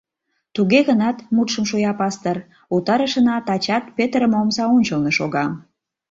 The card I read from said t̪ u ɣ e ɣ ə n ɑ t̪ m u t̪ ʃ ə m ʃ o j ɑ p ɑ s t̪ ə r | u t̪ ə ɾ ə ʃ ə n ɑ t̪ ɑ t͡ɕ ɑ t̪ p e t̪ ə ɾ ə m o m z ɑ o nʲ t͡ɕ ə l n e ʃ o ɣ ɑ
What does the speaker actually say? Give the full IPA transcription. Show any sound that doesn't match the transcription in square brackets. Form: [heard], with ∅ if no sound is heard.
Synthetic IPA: t̪ u ɣ e ɣ ə n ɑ t̪ m u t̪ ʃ ə m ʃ o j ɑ p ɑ s t̪ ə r | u t̪ [ɑ] ɾ ə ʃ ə n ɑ t̪ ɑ t͡ɕ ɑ t̪ p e t̪ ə ɾ ə m o m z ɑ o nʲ t͡ɕ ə l n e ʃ o ɣ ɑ

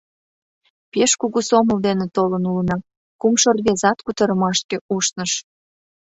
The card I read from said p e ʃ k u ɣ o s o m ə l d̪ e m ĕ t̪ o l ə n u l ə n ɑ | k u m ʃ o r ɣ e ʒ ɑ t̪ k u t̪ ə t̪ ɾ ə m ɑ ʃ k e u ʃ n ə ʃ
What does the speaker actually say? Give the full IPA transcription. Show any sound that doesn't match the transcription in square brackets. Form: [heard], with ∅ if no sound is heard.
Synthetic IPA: p e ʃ k u ɣ [u] s o m ə l d̪ e [n] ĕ t̪ o l ə n u l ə n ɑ | k u m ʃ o r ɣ e [z] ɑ t̪ k u t̪ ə [∅] ɾ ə m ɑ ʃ k e u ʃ n ə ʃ

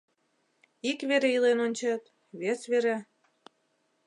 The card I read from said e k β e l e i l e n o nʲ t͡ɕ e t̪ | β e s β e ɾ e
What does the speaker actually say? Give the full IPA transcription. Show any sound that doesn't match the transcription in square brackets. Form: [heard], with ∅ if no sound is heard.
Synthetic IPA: [i] k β e [ɾ] e i l e n o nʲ t͡ɕ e t̪ | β e s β e ɾ e

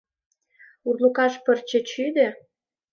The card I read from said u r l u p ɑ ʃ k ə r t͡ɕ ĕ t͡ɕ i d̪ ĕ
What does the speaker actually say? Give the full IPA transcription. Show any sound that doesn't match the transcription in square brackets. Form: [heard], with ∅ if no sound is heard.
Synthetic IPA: u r l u [k] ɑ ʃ [p] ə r t͡ɕ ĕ t͡ɕ [y] d̪ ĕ

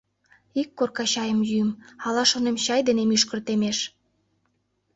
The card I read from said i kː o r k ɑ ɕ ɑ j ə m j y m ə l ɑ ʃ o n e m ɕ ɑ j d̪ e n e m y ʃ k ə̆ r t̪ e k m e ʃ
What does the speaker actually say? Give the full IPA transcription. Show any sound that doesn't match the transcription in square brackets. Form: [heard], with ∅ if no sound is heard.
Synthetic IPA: i kː o r k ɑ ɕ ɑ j ə m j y m [ɑ] l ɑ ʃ o n e m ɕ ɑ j d̪ e n e m y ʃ k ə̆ r t̪ e [∅] m e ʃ

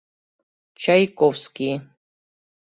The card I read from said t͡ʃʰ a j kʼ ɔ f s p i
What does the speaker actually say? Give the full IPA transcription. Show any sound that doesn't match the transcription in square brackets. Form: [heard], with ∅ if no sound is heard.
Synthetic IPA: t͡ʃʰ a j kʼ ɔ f s [k] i

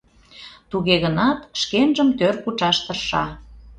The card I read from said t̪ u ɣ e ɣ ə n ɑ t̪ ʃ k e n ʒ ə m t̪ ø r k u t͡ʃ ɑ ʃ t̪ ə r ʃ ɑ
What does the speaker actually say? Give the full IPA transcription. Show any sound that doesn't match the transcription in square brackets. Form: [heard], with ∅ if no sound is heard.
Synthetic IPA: t̪ u ɣ e ɣ ə n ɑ t̪ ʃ k e n ʒ ə m t̪ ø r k u t͡ʃ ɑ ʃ t̪ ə r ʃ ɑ

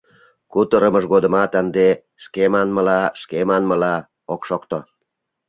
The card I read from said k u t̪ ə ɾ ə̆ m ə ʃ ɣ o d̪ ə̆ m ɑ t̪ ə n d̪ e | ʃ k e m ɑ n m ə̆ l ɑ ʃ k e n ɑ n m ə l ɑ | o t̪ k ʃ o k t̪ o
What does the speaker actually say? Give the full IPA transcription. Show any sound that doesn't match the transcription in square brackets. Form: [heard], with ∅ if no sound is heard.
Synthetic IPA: k u t̪ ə ɾ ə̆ m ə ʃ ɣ o d̪ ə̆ m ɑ t̪ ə n d̪ e | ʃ k e m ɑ n m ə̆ l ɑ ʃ k e [m] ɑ n m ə l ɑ | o [∅] k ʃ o k t̪ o

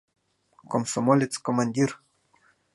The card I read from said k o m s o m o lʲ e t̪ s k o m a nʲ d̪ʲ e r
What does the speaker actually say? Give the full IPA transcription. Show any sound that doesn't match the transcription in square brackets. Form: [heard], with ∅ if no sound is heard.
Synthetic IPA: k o m s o m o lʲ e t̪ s k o m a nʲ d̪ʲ [i] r

